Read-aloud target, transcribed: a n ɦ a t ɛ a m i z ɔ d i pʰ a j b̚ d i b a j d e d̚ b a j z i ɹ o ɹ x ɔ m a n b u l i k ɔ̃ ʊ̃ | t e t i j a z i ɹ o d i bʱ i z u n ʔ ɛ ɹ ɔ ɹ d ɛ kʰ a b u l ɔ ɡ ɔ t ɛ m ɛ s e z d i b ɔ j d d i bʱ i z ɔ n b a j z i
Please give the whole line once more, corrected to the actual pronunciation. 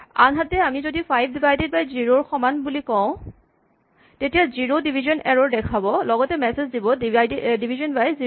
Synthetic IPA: a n ɦ a t ɛ a m i z o d i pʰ a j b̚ d i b a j d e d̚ b a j z i ɹ o ɹ x ɔ m a n b u l i k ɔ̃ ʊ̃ | t e t i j a z i ɹ o d i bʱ i z ɔ n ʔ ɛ ɹ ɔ ɹ d ɛ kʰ a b ɔ l ɔ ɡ ɔ t ɛ m ɛ s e z d i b ɔ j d d i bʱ i z ɔ n b a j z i

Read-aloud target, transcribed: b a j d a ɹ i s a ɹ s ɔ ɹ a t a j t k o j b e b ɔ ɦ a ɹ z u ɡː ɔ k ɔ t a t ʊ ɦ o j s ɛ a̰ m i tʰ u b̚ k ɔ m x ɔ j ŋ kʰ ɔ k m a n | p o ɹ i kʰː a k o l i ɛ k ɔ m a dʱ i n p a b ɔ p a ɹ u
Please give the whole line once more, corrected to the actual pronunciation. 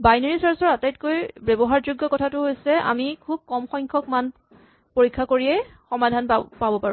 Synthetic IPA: b a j n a ɹ i s a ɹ s ɔ ɹ a t a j t k o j b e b ɔ ɦ a ɹ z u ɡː ɔ k ɔ tʰ a t ʊ ɦ o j s ɛ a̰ m i kʰ u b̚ k ɔ m x ɔ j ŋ kʰ ɔ k m a n | p o ɹ i kʰː a k o ɹ i ɛ x ɔ m a dʱ a n p a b ɔ p a ɹ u

